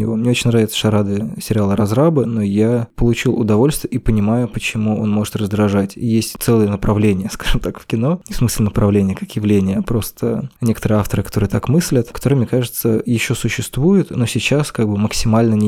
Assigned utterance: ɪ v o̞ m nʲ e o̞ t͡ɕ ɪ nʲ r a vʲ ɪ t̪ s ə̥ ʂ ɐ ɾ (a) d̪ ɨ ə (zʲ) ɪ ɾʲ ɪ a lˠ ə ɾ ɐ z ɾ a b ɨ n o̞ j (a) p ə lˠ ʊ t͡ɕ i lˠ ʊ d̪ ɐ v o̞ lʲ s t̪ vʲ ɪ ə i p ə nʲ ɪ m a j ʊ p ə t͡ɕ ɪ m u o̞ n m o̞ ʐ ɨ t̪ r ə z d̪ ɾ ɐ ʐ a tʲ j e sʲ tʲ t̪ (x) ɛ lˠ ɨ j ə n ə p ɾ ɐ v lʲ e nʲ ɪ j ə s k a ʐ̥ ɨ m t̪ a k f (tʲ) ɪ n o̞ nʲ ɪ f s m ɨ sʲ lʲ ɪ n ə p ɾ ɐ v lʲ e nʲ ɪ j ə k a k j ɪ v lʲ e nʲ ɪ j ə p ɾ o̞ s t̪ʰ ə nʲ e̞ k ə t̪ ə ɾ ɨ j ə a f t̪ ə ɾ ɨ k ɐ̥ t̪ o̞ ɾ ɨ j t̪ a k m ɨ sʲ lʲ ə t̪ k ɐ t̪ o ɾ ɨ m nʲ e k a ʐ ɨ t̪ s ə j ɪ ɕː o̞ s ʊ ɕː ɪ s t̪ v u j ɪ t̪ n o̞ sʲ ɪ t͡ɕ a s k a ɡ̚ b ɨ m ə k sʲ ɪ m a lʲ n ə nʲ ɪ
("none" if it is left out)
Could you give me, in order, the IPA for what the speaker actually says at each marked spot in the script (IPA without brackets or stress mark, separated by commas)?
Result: a, sʲ, a, s, kʲ